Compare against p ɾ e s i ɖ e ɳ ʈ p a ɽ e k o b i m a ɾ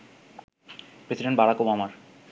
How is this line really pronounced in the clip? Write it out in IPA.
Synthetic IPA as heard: p ɾ e s i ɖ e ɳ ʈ b a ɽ a k o b a m a ɾ